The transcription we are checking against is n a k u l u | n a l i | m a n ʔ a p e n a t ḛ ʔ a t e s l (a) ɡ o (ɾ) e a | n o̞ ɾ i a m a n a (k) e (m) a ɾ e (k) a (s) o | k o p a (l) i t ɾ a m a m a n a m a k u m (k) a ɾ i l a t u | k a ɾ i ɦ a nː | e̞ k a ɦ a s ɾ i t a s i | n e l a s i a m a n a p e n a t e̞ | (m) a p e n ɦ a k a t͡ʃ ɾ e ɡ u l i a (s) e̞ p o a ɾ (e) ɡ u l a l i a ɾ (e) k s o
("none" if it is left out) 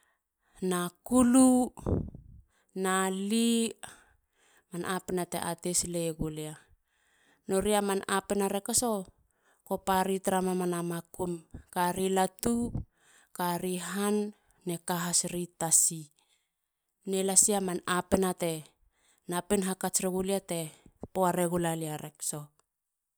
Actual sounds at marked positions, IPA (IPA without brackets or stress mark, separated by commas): e, l, p, n, k, s, ɾ, k, n, t, e, e